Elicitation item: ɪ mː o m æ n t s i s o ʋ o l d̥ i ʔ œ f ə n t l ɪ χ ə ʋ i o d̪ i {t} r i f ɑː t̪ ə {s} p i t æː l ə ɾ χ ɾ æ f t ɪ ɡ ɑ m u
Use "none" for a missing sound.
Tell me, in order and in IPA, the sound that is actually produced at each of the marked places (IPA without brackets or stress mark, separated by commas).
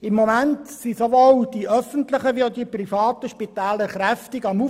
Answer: p, ʃ